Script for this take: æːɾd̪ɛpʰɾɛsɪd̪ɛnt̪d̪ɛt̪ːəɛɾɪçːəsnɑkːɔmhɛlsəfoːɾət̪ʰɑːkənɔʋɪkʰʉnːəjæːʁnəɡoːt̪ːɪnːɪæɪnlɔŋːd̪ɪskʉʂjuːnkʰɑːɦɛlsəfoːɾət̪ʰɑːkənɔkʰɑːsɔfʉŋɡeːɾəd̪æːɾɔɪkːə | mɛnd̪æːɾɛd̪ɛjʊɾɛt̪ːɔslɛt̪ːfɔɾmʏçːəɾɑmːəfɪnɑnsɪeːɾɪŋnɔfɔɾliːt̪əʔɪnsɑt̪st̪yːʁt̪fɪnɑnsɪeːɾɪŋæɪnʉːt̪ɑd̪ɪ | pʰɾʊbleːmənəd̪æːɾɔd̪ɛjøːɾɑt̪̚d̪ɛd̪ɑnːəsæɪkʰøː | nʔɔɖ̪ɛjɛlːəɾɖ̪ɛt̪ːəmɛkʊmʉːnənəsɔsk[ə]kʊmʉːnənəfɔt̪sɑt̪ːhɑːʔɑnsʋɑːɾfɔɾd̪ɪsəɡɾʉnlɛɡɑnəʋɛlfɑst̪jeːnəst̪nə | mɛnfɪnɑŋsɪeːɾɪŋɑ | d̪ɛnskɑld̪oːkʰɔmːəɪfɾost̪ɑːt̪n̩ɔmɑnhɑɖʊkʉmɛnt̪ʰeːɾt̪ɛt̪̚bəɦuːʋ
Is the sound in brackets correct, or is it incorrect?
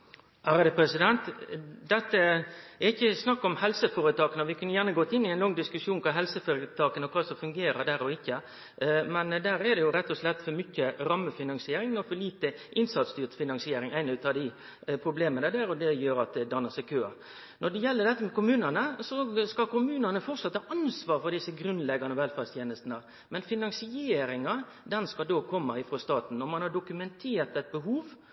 incorrect